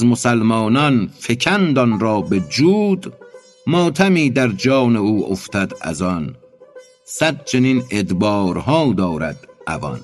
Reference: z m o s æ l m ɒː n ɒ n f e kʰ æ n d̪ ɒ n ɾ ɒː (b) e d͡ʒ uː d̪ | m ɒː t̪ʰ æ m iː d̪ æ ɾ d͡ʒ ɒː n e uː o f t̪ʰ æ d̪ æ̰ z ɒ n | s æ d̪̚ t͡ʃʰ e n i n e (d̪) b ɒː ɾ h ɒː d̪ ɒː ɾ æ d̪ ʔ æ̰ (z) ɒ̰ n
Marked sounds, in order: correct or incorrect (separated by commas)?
correct, correct, incorrect